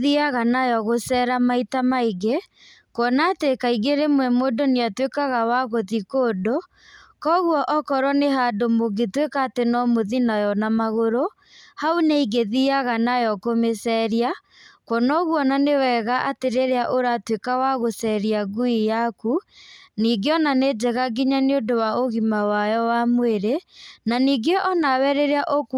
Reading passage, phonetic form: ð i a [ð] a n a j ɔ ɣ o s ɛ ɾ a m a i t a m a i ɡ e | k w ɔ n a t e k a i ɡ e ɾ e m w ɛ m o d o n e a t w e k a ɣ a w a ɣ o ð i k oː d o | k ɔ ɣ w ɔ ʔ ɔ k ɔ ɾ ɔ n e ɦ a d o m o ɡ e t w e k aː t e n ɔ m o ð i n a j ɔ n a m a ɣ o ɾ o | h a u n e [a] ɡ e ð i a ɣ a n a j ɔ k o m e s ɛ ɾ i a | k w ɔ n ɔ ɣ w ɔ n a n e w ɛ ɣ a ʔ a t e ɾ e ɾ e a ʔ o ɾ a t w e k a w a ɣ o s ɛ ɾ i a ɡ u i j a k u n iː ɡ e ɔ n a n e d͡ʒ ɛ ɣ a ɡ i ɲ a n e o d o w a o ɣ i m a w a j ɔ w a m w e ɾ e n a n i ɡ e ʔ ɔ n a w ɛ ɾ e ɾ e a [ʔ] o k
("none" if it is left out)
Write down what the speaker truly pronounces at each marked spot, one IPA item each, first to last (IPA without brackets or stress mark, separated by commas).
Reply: ɣ, i, ʔ